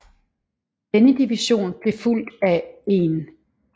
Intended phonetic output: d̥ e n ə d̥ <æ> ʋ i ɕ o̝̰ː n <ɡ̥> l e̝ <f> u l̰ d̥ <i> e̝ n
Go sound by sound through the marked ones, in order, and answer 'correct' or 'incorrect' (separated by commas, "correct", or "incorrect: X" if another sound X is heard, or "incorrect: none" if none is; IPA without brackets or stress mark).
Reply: incorrect: i, incorrect: b̥, correct, incorrect: æ